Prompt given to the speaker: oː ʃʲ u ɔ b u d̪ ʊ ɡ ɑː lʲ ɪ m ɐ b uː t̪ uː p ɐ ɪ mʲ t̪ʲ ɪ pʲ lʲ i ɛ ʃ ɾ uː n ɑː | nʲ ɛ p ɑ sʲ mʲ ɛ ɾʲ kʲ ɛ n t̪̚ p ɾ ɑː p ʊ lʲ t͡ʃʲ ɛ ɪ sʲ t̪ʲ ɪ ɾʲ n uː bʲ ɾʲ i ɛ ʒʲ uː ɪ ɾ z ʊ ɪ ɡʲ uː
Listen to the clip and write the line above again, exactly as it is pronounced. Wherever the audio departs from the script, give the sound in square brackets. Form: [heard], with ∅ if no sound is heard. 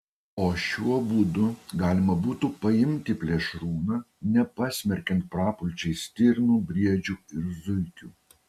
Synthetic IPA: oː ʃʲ u ɔ b u d̪ ʊ ɡ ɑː lʲ ɪ m ɐ b uː t̪ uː p ɐ ɪ mʲ t̪ʲ ɪ pʲ lʲ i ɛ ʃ ɾ uː n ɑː | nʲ ɛ p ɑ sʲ mʲ ɛ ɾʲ kʲ ɛ n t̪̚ p ɾ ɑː p ʊ lʲ t͡ʃʲ ɛ ɪ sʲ t̪ʲ ɪ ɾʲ n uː bʲ ɾʲ i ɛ [d͡ʒʲ] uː ɪ ɾ z ʊ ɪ [kʲ] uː